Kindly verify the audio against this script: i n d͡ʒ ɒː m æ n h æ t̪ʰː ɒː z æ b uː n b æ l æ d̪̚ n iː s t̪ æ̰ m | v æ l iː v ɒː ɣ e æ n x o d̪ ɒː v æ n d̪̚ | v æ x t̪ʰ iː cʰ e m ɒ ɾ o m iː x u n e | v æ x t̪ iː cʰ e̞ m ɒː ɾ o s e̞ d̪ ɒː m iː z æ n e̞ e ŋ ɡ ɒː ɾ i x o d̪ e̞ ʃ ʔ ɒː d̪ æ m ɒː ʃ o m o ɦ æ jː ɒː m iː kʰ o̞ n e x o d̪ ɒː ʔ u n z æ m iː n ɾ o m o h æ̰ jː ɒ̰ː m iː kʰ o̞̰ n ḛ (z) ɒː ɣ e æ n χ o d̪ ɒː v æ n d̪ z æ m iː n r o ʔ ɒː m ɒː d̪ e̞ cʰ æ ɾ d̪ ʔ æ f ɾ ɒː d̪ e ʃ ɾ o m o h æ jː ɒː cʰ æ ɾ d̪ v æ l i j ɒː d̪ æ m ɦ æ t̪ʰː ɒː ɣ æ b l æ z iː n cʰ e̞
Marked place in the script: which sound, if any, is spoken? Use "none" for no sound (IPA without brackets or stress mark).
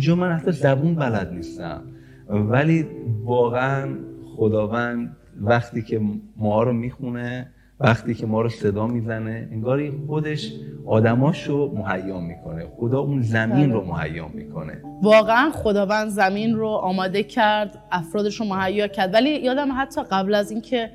v